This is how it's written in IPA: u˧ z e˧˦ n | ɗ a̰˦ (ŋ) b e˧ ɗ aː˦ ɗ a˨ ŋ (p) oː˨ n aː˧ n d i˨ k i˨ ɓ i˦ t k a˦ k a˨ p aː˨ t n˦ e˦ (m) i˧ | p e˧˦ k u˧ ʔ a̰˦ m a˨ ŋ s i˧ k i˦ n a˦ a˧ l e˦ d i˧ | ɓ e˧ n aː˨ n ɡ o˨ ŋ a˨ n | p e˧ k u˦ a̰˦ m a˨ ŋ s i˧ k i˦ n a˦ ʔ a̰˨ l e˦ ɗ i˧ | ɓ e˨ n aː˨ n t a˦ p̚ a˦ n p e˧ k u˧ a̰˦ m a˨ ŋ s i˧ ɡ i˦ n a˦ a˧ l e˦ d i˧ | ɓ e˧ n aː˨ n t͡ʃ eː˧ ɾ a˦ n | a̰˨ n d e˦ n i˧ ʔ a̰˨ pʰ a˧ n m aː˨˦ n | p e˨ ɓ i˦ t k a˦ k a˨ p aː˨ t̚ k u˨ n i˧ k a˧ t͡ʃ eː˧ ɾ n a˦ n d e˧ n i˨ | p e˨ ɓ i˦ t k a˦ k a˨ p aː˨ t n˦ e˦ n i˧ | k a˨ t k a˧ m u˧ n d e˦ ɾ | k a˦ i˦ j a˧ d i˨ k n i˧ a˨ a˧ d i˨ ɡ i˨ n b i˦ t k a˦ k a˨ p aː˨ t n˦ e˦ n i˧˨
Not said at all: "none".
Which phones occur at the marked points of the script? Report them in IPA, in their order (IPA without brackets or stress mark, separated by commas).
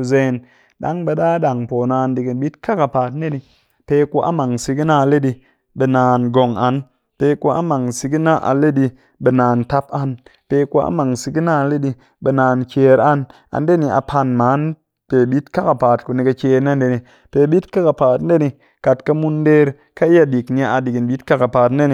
ŋ, p, n